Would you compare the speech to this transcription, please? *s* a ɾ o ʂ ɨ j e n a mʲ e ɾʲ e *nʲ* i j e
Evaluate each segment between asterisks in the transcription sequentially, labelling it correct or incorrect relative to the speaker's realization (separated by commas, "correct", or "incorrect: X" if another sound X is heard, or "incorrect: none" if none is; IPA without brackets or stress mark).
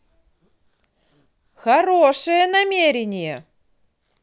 incorrect: x, correct